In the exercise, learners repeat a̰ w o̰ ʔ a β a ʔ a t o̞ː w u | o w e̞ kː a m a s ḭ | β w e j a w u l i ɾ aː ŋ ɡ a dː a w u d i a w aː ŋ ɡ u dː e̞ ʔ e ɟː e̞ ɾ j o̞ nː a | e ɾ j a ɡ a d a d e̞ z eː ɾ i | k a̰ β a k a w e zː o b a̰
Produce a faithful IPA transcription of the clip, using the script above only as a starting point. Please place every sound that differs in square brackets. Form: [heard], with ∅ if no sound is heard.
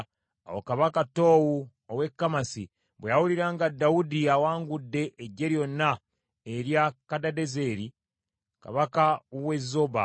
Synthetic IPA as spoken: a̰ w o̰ [k] a β a [k] a t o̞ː w u | o w e̞ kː a m a s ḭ | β w e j a w u l i ɾ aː ŋ ɡ a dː a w u d i a w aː ŋ ɡ u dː e̞ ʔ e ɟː e̞ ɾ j o̞ nː a | e ɾ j a [k] a d a d e̞ z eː ɾ i | k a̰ β a k a w e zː o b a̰